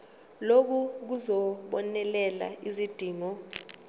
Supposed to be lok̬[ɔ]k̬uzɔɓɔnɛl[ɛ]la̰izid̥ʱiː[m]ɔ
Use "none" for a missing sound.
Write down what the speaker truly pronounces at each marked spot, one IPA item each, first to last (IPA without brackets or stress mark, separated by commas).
u, ɛ, ŋ